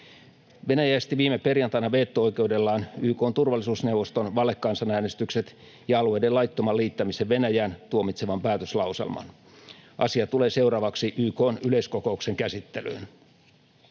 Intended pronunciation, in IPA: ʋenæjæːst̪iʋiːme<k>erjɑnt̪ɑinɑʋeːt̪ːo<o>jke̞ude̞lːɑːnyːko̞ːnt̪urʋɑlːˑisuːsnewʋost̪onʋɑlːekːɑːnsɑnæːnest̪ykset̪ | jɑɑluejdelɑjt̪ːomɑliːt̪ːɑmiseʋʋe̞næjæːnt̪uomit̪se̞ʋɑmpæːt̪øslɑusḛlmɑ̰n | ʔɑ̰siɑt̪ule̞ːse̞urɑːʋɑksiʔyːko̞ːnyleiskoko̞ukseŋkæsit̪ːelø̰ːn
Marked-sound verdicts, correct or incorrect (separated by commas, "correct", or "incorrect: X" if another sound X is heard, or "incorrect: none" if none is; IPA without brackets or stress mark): incorrect: p, correct